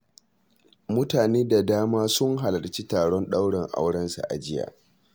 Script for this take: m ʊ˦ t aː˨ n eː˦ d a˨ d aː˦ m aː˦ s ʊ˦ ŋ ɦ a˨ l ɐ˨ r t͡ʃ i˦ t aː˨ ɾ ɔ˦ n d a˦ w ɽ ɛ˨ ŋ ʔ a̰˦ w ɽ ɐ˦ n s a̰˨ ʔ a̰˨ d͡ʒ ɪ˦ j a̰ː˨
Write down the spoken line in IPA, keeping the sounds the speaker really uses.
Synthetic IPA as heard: m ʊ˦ t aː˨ n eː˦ d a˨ d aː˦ m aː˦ s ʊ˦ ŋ ɦ a˨ l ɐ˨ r t͡ʃ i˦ t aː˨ ɽ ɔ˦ n ɗ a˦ w ɽ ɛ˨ ŋ ʔ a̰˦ w ɽ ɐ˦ n s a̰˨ ʔ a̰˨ d͡ʒ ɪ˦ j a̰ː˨